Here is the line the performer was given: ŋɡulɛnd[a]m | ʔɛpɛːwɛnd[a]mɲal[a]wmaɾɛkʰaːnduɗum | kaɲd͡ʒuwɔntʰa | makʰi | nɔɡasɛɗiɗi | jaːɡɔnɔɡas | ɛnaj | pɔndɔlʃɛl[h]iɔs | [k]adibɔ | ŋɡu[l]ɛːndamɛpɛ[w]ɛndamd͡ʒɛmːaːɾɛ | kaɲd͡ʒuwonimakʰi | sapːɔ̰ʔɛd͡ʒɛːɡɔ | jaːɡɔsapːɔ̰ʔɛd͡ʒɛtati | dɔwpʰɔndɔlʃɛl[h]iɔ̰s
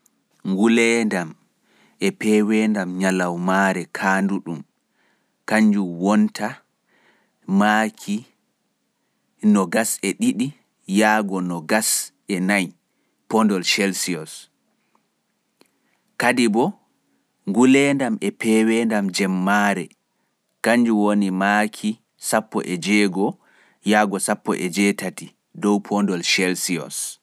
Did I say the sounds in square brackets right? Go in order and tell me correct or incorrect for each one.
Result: correct, correct, correct, incorrect, correct, correct, correct, incorrect

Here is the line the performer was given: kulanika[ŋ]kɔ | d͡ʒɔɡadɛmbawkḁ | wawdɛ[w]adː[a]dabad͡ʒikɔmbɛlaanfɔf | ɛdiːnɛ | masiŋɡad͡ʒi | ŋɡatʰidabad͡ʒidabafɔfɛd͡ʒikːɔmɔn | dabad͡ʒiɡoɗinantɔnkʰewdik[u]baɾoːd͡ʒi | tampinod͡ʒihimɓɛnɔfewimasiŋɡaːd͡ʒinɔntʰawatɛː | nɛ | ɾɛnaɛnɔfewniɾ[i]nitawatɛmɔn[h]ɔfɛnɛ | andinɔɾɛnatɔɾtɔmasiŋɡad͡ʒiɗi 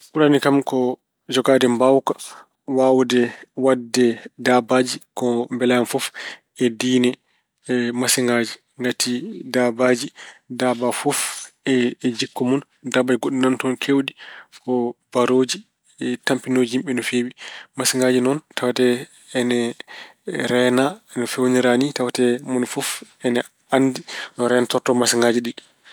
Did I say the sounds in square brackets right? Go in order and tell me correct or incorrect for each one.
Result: incorrect, correct, incorrect, incorrect, incorrect, incorrect

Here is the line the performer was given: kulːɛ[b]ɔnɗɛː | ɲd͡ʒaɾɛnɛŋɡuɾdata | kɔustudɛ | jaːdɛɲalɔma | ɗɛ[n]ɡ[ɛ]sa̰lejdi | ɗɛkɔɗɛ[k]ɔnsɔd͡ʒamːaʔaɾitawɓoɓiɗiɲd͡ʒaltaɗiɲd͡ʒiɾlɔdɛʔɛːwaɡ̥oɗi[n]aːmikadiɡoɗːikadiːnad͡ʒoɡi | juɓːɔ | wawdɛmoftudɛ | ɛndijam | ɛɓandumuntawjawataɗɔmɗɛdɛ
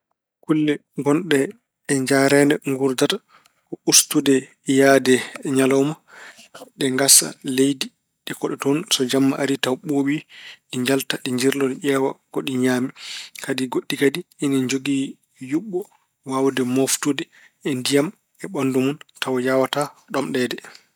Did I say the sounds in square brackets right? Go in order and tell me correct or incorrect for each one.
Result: incorrect, incorrect, incorrect, incorrect, incorrect

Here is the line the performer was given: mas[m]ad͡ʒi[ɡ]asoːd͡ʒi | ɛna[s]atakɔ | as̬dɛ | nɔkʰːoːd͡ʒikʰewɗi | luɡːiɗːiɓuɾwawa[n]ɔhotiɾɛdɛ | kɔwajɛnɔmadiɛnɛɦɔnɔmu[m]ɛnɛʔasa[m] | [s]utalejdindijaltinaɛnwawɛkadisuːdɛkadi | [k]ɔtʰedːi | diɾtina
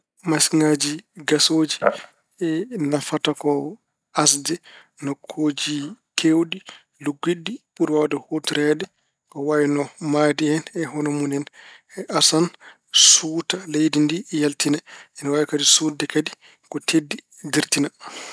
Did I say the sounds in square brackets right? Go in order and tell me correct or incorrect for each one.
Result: incorrect, correct, incorrect, incorrect, incorrect, incorrect, correct, correct

